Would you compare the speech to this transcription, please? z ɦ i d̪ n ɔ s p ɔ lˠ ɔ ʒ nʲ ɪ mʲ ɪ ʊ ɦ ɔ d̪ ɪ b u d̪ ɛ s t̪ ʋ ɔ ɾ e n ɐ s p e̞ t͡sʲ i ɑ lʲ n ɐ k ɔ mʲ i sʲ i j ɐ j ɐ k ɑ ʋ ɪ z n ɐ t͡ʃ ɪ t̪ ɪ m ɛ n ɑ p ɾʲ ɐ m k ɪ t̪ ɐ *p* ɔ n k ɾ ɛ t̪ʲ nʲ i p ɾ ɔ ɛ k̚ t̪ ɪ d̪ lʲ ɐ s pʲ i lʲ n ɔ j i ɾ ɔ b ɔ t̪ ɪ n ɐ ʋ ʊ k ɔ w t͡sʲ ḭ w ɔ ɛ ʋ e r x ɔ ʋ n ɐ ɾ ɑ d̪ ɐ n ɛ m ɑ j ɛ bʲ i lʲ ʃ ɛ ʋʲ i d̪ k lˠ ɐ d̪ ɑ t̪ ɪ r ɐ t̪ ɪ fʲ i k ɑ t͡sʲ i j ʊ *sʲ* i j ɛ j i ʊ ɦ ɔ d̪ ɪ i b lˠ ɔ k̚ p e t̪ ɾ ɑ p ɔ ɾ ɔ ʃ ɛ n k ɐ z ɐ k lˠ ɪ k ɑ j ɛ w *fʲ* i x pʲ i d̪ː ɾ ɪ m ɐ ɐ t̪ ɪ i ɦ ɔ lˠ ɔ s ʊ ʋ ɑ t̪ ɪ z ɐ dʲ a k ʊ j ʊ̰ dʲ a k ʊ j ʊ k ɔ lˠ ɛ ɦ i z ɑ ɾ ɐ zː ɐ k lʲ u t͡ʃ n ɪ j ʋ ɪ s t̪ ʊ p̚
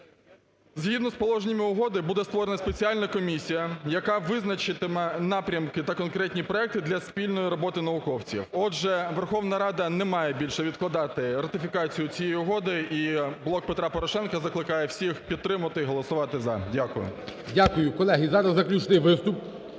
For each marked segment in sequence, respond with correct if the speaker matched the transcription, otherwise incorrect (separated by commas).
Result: incorrect, incorrect, incorrect